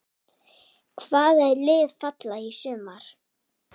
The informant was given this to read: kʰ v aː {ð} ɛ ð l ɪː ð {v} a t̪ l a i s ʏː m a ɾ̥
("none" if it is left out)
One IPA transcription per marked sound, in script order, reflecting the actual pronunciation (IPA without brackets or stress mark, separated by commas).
ð, f